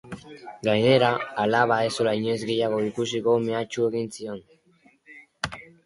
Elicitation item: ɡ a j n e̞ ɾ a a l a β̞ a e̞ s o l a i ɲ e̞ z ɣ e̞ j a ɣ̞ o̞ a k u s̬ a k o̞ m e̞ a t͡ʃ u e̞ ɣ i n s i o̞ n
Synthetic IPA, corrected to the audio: ɡ a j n e̞ ɾ a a l a β̞ a e̞ s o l a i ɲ e̞ z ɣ e̞ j a ɣ̞ o̞ i k u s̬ i k o̞ m e̞ a t͡ʃ u e̞ ɣ i n s i o̞ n